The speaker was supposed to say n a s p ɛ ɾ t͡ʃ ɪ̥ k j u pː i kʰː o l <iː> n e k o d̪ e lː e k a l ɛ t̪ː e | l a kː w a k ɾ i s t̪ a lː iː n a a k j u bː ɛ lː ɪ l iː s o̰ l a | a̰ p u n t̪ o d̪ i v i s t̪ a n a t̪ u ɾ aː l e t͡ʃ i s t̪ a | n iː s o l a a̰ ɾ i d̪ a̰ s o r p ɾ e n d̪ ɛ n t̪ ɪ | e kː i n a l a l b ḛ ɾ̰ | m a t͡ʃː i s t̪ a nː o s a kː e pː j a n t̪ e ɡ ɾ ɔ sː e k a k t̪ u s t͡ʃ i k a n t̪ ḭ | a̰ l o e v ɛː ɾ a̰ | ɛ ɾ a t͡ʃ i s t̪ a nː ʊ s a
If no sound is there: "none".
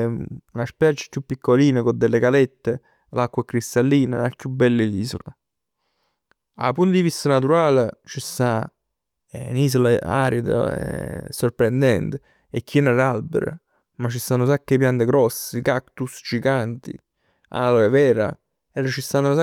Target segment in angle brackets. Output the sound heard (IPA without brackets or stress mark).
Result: iː